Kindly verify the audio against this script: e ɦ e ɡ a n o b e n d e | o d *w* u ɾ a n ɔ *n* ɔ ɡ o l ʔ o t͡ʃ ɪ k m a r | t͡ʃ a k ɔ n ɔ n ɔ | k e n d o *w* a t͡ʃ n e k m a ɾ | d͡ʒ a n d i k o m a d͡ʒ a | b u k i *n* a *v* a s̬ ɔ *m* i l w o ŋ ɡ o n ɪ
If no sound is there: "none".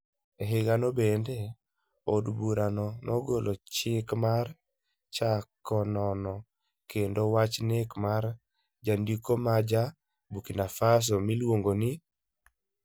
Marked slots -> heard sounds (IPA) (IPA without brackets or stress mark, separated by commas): b, n, w, n, f, m